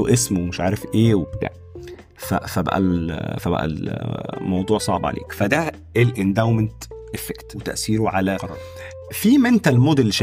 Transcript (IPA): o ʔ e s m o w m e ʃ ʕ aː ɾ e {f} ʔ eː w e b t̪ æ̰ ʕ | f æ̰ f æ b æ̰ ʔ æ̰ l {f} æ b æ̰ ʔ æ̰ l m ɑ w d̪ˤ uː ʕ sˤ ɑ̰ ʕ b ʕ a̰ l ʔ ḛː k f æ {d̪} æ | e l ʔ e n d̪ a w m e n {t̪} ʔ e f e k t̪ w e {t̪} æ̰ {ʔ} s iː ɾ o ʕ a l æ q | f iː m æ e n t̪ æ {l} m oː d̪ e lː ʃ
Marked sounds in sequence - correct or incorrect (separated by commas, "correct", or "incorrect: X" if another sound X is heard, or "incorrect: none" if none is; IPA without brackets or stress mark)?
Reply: correct, correct, correct, correct, correct, correct, correct